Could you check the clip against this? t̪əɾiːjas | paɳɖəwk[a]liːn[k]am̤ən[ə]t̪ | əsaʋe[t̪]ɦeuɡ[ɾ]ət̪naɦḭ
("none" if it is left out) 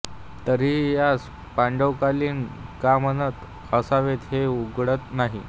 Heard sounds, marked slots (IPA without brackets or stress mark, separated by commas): a, k, ə, t̪, ɽ